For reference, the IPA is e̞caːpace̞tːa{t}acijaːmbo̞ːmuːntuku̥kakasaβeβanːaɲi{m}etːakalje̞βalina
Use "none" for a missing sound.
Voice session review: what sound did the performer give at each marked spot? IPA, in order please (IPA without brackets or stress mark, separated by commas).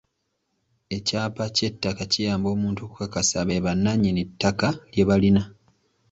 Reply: k, n